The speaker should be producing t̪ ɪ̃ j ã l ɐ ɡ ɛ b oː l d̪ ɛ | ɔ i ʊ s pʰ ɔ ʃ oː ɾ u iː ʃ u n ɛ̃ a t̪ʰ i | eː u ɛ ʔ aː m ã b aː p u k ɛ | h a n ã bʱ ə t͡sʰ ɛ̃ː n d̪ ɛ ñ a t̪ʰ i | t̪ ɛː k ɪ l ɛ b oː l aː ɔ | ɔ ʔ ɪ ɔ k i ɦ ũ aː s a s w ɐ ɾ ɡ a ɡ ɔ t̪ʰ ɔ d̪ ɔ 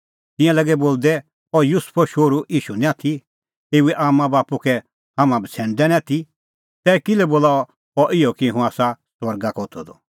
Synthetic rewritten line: t̪ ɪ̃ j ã l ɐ ɡ ɛ b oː l d̪ ɛ | ɔ j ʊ s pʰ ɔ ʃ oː ɾ u iː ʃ u n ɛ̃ a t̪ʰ i | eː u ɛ ʔ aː m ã b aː p u k ɛ | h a m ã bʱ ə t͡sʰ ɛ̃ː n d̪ ɛ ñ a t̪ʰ i | t̪ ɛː k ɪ l ɛ b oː l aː ɔ | ɔ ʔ ɪ ɔ k i ɦ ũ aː s a s w ɐ ɾ ɡ a k ɔ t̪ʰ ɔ d̪ ɔ